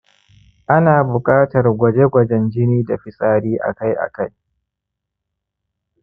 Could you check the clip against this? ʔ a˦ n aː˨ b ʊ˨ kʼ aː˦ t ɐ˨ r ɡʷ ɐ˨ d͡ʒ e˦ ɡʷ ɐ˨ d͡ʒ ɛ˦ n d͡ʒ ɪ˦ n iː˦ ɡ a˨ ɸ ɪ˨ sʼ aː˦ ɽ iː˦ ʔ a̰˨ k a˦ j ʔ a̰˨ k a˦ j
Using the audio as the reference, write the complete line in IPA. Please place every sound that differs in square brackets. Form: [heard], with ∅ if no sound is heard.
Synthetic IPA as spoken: ʔ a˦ n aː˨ b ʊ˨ kʼ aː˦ t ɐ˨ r ɡʷ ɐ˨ d͡ʒ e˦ ɡʷ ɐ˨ d͡ʒ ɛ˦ n d͡ʒ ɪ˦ n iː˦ [d] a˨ ɸ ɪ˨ sʼ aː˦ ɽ iː˦ ʔ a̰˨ k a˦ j ʔ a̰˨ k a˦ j